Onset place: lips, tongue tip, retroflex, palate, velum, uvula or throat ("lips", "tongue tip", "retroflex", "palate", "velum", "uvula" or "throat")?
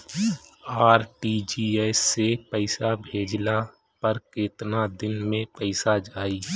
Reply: tongue tip